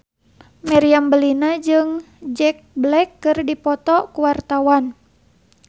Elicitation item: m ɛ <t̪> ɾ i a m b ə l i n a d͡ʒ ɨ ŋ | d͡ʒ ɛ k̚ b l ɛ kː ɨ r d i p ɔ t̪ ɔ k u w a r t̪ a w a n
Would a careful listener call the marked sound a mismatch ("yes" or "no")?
yes